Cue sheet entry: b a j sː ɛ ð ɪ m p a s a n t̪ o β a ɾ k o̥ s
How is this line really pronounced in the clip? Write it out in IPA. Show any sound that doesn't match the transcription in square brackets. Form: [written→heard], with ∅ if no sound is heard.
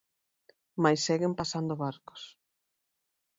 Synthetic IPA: [b→m] a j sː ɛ [ð→ɣ] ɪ m p a s a n [t̪→d̪] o β a ɾ k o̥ s